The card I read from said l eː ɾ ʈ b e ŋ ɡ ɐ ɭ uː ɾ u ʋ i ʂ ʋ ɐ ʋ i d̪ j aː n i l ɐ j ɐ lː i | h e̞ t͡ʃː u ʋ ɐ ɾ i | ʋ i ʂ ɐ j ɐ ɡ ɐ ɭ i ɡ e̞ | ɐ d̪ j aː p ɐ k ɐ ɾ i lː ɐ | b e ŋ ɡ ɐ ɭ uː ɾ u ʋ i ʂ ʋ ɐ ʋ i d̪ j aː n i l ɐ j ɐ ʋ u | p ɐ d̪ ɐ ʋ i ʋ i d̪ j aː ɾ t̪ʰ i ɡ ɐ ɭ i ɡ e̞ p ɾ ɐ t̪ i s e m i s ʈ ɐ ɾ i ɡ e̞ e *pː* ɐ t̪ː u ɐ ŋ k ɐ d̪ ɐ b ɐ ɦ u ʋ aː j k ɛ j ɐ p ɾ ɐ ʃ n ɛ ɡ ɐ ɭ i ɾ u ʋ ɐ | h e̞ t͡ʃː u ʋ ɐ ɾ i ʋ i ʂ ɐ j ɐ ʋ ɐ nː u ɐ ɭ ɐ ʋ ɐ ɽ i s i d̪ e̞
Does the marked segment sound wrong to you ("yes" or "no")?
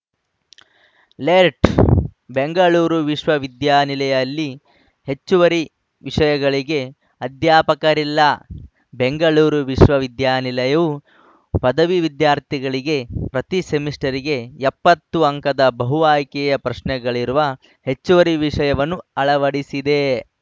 no